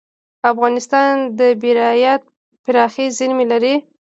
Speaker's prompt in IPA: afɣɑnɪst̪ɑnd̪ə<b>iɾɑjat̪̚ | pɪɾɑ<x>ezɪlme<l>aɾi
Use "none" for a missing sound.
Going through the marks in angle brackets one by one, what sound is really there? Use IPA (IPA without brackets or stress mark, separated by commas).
b, x, l